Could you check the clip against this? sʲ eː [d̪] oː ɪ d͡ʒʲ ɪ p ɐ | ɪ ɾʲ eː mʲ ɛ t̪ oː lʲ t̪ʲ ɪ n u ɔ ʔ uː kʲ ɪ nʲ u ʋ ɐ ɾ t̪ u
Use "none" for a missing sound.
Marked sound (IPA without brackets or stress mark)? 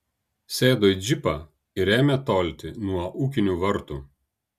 d̪